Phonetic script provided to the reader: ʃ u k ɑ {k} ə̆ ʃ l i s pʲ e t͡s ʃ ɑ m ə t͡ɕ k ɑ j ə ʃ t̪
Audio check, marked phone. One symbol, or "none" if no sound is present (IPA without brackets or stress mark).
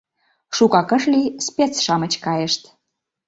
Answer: k